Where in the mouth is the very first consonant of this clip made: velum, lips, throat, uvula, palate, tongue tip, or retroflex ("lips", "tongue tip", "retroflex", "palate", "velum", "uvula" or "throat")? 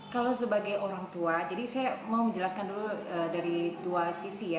velum